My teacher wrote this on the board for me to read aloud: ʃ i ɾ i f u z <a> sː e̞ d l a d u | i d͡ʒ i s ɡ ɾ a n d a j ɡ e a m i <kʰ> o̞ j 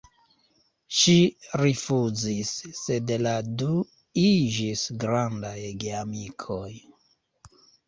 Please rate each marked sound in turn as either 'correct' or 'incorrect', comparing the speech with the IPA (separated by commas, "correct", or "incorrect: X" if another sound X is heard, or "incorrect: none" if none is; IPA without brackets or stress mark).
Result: incorrect: i, correct